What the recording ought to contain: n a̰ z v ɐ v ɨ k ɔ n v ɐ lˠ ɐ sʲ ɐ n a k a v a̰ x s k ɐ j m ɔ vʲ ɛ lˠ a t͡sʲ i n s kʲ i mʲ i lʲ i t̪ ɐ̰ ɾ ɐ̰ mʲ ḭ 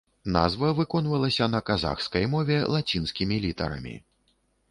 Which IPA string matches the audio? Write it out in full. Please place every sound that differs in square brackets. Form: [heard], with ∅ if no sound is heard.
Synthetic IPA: n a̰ z v ɐ v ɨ k ɔ n v ɐ lˠ ɐ sʲ ɐ n [ɐ] k a [z] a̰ x s k ɐ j m ɔ vʲ ɛ lˠ a t͡sʲ i n s kʲ i mʲ i lʲ i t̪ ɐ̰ ɾ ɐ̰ mʲ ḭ

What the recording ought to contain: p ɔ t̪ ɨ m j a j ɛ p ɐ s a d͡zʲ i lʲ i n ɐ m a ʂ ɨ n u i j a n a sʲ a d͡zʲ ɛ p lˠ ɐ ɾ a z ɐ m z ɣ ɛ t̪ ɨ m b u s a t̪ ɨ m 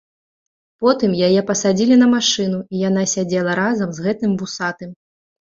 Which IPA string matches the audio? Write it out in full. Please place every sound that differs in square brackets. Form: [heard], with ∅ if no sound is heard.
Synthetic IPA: p ɔ t̪ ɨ m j a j ɛ p ɐ s a d͡zʲ i lʲ i n ɐ m a ʂ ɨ n u i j a n a sʲ a d͡zʲ ɛ [∅] lˠ ɐ ɾ a z ɐ m z ɣ ɛ t̪ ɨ m b u s a t̪ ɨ m

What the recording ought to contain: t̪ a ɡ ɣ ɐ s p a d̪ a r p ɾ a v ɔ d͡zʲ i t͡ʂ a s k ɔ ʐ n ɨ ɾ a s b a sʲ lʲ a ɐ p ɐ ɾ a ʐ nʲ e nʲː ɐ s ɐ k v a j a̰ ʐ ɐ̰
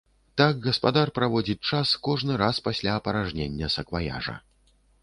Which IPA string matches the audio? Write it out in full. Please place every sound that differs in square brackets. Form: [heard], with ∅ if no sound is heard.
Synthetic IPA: t̪ a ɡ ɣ ɐ s p a d̪ a r p ɾ a v ɔ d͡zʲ i t͡ʂ a s k ɔ ʐ n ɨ ɾ a s [p] a sʲ lʲ a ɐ p ɐ ɾ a ʐ nʲ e nʲː ɐ s ɐ k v a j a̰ ʐ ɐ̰

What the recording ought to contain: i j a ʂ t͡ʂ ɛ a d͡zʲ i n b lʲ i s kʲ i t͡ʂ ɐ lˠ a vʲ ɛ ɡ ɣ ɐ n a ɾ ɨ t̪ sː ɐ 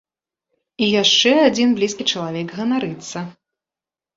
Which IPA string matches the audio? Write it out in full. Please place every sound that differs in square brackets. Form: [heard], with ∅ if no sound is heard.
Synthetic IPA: i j a ʂ t͡ʂ ɛ a d͡zʲ i n b lʲ i s kʲ i t͡ʂ ɐ lˠ a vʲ ɛ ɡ ɣ ɐ n a ɾ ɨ t̪ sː ɐ

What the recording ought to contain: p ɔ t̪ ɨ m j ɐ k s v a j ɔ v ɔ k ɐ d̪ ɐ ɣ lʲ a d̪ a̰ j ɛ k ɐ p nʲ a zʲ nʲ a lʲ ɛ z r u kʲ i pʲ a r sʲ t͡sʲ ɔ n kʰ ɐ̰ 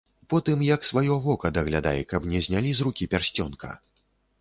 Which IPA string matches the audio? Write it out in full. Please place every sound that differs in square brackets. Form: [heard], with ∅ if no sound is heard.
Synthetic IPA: p ɔ t̪ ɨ m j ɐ k s v a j ɔ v ɔ k ɐ d̪ ɐ ɣ lʲ a d̪ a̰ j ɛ k ɐ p nʲ [ɛ] zʲ nʲ a lʲ [i] z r u kʲ i pʲ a r sʲ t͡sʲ ɔ n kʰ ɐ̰

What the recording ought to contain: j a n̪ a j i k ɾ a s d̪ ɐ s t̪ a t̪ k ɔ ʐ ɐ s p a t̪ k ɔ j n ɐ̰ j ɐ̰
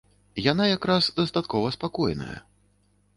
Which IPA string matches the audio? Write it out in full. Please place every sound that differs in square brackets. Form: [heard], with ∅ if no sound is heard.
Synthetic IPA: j a n̪ a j [a] k ɾ a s d̪ ɐ s t̪ a t̪ k ɔ [v] ɐ s p a [∅] k ɔ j n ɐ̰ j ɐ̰

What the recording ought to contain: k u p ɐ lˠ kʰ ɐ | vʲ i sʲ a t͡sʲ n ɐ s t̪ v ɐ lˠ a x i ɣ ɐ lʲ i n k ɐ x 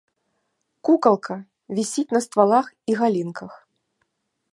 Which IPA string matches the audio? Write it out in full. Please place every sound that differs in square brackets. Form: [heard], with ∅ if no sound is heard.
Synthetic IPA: k u [k] ɐ lˠ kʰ ɐ | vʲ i sʲ [i] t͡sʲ n ɐ s t̪ v [a] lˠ a x i ɣ [a] lʲ i n k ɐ x

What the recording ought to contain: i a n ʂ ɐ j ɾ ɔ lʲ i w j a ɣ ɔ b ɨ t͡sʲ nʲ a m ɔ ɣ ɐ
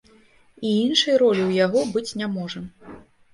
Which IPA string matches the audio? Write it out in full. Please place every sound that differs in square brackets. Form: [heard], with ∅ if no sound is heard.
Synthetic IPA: i [i] n ʂ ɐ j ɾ ɔ lʲ i w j a ɣ ɔ b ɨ t͡sʲ nʲ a m ɔ [ʐ] ɐ

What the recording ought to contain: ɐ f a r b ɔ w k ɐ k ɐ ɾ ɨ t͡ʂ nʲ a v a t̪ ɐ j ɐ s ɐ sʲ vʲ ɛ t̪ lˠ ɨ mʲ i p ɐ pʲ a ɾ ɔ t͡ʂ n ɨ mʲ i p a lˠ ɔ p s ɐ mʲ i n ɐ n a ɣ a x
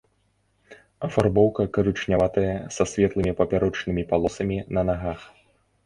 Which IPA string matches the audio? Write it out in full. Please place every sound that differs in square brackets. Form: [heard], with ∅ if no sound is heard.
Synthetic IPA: ɐ f a r b ɔ w k ɐ k ɐ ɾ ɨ t͡ʂ nʲ a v a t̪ ɐ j ɐ s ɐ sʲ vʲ ɛ t̪ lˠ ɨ mʲ i p ɐ pʲ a ɾ ɔ t͡ʂ n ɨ mʲ i p a lˠ ɔ [∅] s ɐ mʲ i n ɐ n a ɣ a x

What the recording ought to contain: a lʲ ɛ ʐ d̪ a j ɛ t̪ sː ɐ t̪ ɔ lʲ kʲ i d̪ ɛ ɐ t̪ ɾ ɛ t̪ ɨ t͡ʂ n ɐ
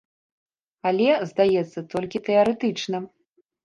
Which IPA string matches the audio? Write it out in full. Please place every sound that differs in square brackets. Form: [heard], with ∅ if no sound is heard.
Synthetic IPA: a lʲ ɛ [z] d̪ a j ɛ t̪ sː ɐ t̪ ɔ lʲ kʲ i [t̪] ɛ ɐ [∅] ɾ ɛ t̪ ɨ t͡ʂ n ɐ

